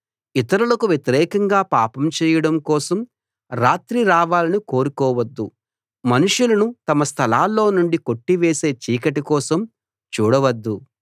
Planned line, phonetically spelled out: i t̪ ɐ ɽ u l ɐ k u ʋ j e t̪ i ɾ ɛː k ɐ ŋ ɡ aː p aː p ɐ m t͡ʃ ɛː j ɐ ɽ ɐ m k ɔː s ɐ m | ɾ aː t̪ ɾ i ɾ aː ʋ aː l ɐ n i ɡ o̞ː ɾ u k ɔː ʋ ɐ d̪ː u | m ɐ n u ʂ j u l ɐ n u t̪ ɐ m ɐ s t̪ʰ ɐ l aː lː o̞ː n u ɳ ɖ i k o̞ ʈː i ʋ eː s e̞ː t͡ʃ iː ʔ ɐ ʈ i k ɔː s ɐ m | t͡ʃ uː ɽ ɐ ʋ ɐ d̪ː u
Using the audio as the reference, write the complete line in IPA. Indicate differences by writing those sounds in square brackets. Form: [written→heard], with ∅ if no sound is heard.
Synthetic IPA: i t̪ ɐ [ɽ→ɾ] u l ɐ k u ʋ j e t̪ i ɾ ɛː k ɐ ŋ ɡ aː p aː p ɐ m t͡ʃ ɛː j ɐ ɽ ɐ m k ɔː s ɐ m | ɾ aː t̪ ɾ i ɾ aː ʋ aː l ɐ n i [ɡ→k] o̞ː ɾ u k ɔː ʋ ɐ d̪ː u | m ɐ n u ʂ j u l ɐ n u t̪ ɐ m ɐ s t̪ʰ ɐ l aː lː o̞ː n u ɳ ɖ i k o̞ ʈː i ʋ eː s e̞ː t͡ʃ iː [ʔ→k] ɐ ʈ i k ɔː s ɐ m | t͡ʃ uː ɽ ɐ ʋ ɐ d̪ː u